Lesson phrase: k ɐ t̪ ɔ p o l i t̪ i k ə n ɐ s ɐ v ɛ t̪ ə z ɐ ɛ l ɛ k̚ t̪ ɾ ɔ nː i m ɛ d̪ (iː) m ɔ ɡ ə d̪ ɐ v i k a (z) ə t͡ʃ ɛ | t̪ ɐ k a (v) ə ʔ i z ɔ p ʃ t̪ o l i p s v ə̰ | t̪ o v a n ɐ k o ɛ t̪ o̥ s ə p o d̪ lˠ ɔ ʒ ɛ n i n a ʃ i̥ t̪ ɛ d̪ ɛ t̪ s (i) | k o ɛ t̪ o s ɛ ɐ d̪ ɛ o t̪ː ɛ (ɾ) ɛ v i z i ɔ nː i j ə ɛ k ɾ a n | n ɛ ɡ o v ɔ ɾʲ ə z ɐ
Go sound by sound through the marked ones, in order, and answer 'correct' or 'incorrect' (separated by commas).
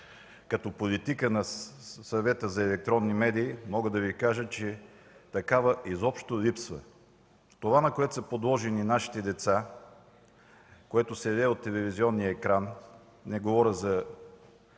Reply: correct, incorrect, correct, incorrect, incorrect